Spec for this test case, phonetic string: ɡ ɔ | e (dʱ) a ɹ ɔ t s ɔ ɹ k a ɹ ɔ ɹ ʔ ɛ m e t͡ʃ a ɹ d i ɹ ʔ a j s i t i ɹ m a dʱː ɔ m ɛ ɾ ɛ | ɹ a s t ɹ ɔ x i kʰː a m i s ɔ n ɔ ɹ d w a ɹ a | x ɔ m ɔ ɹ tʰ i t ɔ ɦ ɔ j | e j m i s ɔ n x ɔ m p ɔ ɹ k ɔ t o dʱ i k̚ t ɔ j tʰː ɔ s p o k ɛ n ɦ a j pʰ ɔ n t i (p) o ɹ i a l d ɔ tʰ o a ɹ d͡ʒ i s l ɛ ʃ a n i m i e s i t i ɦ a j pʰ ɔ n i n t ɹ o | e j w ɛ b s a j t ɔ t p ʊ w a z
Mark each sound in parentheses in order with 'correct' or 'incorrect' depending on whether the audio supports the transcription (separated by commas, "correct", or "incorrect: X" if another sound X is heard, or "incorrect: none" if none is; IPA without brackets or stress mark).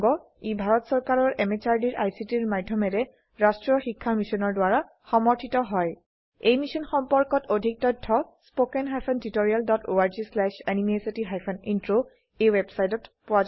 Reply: incorrect: bʱ, incorrect: t